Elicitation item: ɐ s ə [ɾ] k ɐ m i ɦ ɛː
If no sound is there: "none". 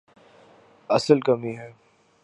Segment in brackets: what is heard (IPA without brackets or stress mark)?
l